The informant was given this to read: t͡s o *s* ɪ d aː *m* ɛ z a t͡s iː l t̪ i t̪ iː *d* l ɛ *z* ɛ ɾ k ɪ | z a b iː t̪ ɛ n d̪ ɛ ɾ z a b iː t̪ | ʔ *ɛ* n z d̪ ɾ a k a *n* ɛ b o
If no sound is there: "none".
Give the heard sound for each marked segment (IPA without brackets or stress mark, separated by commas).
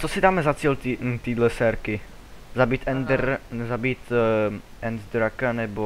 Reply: s, m, d, s, ɛ, n